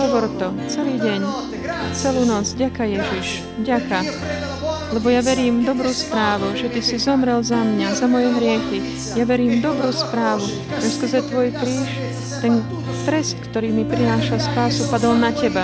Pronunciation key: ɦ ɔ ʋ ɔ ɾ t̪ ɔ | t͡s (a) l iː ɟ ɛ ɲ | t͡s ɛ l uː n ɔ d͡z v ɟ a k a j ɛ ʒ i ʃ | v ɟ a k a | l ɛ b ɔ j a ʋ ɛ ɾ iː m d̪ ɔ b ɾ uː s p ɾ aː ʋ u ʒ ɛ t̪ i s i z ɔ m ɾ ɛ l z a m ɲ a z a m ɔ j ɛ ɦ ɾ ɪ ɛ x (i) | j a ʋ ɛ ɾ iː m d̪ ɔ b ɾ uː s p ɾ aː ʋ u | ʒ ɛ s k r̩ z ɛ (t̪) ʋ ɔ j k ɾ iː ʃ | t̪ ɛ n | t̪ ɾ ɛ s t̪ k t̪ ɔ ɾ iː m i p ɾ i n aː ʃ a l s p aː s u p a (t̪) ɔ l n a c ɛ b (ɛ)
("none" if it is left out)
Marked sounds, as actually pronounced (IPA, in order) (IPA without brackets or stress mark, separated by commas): ɛ, i, t̪, d̪, a